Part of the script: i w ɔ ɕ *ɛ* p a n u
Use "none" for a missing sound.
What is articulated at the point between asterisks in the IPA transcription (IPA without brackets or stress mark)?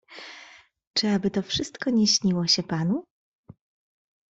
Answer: ɛ